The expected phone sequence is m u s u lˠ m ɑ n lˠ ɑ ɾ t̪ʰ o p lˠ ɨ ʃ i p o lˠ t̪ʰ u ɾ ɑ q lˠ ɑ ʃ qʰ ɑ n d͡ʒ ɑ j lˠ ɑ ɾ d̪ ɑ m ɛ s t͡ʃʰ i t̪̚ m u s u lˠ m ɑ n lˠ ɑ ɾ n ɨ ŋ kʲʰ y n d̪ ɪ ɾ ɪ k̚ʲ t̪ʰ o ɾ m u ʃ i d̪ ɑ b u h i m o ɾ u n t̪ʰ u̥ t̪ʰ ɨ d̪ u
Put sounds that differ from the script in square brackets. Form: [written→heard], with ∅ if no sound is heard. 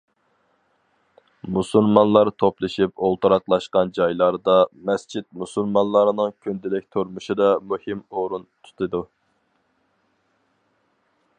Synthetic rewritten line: m u s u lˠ m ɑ n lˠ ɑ ɾ t̪ʰ o p lˠ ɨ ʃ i p o lˠ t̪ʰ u ɾ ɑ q lˠ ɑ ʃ [qʰ→q] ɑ n d͡ʒ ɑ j lˠ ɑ ɾ d̪ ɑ m ɛ s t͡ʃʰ i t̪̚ m u s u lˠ m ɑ n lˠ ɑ ɾ n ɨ ŋ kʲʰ y n d̪ ɪ [ɾ→l] ɪ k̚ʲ t̪ʰ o ɾ m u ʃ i d̪ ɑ [b→m] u h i m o ɾ u n t̪ʰ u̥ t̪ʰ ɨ d̪ u